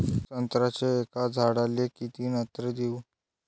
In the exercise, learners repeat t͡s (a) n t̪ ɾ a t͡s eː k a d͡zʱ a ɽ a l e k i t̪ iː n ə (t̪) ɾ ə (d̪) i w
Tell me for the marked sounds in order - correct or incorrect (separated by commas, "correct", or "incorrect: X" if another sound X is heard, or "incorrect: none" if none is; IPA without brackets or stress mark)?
incorrect: ə, correct, correct